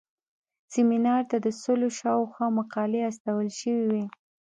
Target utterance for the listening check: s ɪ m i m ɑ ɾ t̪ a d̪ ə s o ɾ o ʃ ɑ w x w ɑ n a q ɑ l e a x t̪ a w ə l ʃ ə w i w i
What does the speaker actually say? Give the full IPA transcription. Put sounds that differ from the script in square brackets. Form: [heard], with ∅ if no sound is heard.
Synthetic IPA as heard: s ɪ m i [n] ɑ ɾ t̪ a d̪ ə s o [l] o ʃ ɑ w x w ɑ [m] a q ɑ l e a [s] t̪ a w ə l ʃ ə w i w i